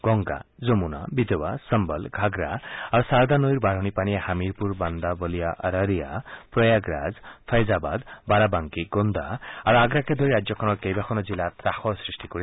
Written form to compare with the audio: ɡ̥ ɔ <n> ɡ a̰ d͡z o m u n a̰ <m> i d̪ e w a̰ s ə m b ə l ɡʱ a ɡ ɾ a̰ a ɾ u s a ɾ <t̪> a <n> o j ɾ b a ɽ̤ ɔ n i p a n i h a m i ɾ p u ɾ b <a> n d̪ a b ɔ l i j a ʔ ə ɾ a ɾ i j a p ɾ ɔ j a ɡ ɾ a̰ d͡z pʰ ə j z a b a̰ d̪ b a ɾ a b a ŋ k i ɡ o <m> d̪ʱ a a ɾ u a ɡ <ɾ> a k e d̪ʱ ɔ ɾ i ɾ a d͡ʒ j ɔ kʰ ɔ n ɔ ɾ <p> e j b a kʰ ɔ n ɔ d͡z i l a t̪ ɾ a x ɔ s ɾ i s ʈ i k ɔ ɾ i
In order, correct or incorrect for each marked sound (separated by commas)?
incorrect, incorrect, incorrect, correct, correct, incorrect, correct, incorrect